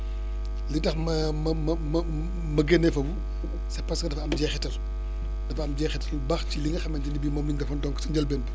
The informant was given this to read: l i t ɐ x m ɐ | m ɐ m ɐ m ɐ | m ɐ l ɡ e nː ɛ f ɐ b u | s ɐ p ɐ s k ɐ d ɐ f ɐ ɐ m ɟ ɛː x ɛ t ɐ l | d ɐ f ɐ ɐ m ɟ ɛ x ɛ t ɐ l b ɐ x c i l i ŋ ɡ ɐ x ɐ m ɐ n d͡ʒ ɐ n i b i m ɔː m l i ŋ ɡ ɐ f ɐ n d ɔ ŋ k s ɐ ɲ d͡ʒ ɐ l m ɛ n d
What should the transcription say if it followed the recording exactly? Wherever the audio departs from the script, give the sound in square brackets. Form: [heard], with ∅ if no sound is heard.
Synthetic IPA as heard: l i t ɐ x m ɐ | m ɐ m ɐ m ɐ | m ɐ [∅] ɡ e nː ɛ f ɐ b u | s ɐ p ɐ s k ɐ d ɐ f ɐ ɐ m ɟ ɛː x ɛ t ɐ l | d ɐ f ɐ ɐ m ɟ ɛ x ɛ t ɐ l b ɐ x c i l i ŋ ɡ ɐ x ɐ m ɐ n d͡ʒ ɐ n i b i m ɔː m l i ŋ ɡ ɐ f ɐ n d ɔ ŋ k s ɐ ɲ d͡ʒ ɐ l [b] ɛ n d